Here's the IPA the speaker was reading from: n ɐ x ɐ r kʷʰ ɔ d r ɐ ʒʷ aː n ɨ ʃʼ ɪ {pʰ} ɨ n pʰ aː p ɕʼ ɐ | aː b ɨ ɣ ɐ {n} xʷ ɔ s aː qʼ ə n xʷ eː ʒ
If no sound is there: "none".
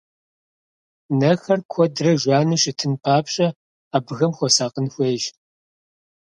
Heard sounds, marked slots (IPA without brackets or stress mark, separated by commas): tʰ, m